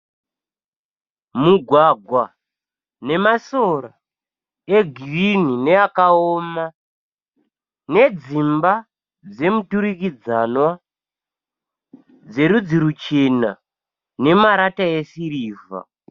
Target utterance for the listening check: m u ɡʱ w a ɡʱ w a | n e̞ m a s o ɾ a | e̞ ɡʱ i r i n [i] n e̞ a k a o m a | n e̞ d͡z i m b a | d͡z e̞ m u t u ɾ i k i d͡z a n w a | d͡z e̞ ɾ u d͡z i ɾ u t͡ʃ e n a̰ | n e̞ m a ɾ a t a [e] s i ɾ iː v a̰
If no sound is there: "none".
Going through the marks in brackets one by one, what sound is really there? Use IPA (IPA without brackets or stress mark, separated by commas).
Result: i, e